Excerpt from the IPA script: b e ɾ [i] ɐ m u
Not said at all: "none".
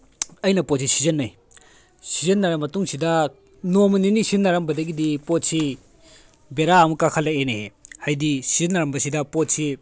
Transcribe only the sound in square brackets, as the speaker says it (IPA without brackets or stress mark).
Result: a